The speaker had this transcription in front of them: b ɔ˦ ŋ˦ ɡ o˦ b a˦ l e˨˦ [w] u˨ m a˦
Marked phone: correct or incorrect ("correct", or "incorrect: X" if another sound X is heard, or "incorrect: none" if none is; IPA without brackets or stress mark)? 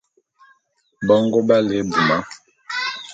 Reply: incorrect: b